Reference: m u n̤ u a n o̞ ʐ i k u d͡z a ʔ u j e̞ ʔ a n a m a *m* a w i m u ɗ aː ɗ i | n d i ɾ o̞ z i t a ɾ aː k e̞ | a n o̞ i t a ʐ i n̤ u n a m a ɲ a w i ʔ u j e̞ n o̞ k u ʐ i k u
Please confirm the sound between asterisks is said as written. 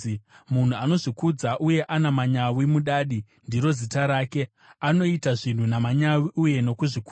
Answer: no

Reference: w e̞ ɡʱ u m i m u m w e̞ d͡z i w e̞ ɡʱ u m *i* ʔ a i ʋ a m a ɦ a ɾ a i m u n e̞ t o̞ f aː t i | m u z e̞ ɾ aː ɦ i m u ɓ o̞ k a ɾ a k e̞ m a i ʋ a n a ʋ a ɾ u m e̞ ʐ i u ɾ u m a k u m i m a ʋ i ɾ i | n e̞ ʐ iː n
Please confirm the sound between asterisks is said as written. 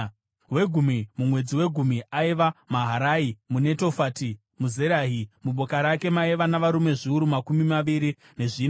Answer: yes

